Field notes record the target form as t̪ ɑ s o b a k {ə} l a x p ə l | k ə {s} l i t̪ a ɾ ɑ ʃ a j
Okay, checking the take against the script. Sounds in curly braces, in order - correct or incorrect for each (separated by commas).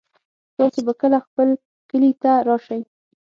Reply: correct, incorrect